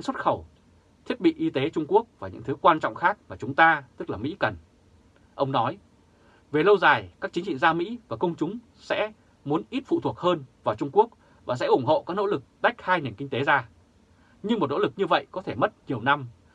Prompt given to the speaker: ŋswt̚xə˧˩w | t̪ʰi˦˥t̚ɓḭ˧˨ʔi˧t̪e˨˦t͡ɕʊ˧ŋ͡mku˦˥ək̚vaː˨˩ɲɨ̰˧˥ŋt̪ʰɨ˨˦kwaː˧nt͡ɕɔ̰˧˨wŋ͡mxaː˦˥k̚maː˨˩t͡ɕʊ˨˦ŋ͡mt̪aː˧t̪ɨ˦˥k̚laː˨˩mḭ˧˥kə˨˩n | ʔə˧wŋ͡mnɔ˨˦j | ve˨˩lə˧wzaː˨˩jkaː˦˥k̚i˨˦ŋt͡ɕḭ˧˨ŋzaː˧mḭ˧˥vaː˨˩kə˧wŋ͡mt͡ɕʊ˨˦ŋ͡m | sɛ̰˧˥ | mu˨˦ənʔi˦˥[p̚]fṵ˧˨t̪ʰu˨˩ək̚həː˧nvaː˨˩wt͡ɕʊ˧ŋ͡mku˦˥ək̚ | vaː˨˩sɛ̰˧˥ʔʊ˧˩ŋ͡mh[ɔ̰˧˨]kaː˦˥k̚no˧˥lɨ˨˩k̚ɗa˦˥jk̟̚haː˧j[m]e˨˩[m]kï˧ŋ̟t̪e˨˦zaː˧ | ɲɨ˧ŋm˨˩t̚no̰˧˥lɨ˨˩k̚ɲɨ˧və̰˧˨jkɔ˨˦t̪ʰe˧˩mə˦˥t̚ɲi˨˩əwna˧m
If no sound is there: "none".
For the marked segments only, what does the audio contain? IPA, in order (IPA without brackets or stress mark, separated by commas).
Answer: t̚, o̰˧˨, n, n